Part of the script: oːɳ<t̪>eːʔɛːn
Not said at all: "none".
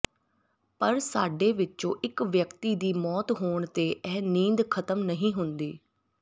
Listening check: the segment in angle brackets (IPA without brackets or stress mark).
t̪